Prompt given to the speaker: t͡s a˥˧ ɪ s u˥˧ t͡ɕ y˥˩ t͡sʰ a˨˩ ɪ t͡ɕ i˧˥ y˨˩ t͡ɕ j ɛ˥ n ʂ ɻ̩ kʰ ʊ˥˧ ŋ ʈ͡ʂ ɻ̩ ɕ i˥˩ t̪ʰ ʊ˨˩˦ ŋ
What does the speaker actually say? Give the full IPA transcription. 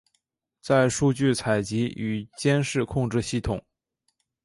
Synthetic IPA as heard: t͡s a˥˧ ɪ ʂ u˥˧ t͡ɕ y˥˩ t͡sʰ a˨˩ ɪ t͡ɕ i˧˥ y˨˩ t͡ɕ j ɛ˥ n ʂ ɻ̩ kʰ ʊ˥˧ ŋ ʈ͡ʂ ɻ̩ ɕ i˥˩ t̪ʰ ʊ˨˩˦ ŋ